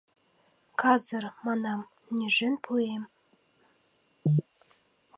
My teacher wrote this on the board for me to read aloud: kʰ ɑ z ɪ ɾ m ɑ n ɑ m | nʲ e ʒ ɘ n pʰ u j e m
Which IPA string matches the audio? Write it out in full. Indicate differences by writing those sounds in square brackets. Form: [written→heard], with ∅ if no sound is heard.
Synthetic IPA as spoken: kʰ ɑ z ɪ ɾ m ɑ n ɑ m | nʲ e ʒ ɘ n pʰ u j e m